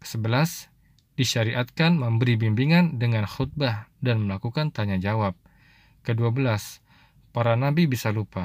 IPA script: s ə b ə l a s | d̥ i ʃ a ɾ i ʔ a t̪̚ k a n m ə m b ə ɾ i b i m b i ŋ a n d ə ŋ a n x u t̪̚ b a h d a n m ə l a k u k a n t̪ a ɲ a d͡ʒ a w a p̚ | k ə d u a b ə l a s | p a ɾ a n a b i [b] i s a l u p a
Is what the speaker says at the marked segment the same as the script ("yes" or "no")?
yes